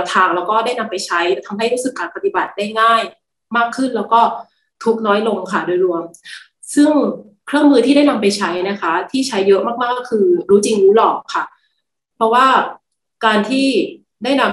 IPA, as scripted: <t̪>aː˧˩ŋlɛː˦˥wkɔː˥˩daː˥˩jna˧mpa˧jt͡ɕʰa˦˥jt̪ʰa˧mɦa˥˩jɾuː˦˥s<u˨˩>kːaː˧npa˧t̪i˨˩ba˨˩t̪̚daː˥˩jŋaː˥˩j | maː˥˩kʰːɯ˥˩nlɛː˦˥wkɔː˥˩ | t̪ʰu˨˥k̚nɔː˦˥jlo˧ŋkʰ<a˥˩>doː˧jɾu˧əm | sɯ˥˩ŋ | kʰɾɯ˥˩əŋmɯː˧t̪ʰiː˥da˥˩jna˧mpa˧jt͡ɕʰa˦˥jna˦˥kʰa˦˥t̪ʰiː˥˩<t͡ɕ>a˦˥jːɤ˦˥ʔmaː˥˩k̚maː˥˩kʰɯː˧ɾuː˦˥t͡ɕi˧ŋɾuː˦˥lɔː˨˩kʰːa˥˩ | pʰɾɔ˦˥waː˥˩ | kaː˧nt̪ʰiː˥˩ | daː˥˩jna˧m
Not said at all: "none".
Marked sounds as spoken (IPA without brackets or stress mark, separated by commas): t̪ʰ, ɯ˨˩, a˥˩, t͡ɕʰ